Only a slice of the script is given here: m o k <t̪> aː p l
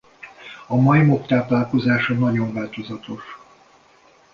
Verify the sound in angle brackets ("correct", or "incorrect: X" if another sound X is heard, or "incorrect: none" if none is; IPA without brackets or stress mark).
correct